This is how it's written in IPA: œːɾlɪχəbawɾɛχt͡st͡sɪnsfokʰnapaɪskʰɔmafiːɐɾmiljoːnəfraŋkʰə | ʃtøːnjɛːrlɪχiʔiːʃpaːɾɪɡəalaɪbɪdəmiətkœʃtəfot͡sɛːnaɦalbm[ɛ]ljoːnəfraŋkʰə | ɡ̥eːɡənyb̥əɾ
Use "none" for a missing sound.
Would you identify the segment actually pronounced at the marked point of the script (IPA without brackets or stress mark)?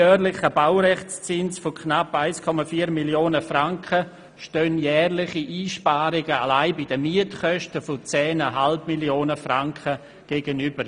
i